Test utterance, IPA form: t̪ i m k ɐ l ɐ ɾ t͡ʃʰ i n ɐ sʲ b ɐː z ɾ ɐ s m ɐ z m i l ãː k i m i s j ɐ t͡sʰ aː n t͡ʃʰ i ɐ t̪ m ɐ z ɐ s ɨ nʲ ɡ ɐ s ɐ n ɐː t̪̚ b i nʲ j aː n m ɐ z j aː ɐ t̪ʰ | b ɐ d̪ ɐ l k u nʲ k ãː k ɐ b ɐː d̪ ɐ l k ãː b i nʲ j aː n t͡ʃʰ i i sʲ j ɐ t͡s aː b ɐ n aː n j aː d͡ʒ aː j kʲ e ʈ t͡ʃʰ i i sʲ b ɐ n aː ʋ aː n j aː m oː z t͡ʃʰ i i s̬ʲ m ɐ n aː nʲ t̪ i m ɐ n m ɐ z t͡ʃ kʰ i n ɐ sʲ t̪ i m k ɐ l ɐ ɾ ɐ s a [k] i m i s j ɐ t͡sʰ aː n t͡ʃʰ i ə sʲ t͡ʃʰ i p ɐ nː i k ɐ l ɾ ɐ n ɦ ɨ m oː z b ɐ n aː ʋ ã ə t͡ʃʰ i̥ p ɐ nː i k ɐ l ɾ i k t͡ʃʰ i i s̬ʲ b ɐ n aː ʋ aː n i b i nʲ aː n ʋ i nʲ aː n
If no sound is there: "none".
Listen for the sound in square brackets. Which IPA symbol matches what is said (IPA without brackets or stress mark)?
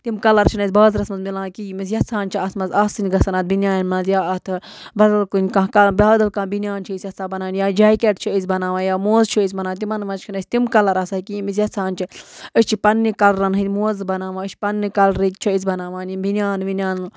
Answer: k